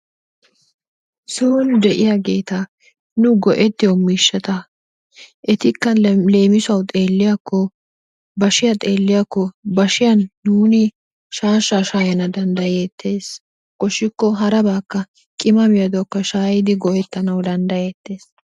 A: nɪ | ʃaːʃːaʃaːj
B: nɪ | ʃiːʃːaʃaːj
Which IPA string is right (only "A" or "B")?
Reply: A